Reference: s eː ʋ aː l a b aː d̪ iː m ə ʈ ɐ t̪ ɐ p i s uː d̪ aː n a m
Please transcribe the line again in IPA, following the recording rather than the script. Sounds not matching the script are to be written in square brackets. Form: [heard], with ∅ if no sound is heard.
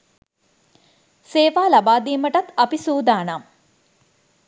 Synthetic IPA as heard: s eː ʋ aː l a b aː d̪ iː m ə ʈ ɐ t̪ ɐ p i s uː d̪ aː n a m